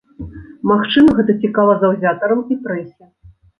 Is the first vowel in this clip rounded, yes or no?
no